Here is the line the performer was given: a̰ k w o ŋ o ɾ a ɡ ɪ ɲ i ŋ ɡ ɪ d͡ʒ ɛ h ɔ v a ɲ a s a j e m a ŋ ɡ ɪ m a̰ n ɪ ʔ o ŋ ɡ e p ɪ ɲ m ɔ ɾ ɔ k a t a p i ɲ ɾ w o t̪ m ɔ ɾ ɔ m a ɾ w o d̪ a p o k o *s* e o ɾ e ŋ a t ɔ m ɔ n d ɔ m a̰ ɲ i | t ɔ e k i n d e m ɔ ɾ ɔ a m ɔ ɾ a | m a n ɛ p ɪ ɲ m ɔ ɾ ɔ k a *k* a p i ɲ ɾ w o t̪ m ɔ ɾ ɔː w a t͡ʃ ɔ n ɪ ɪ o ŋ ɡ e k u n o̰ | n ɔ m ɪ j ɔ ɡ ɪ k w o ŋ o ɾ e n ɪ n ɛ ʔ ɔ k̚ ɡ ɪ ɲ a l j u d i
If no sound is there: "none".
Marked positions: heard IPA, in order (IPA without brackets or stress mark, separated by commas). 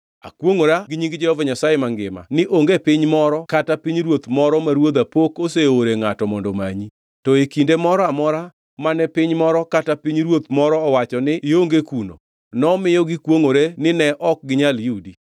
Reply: s, t